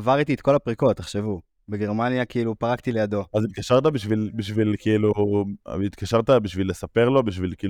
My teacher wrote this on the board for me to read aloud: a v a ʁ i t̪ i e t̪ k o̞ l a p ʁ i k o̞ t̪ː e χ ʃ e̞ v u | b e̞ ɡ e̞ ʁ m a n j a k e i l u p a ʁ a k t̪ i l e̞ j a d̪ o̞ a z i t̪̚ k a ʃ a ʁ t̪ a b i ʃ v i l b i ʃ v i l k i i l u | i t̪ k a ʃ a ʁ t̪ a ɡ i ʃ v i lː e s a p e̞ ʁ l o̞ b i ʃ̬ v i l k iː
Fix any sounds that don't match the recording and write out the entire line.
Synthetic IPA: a v a ʁ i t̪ i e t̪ k o̞ l a p ʁ i k o̞ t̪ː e χ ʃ e̞ v u | b e̞ ɡ e̞ ʁ m a n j a k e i l u p a ʁ a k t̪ i l e̞ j a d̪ o̞ a z i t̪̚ k a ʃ a ʁ t̪ a b i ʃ v i l b i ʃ v i l k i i l u | i t̪ k a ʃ a ʁ t̪ a b i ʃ v i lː e s a p e̞ ʁ l o̞ b i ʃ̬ v i l k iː